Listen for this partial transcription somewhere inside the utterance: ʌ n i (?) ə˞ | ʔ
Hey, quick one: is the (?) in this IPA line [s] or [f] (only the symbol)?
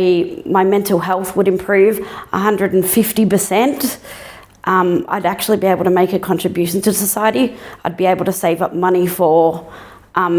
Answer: f